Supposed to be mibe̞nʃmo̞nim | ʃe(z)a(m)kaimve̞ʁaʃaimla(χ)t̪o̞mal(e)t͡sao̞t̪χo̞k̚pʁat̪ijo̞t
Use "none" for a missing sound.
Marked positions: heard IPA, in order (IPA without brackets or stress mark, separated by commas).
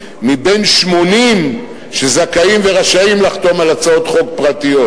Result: z, none, χ, a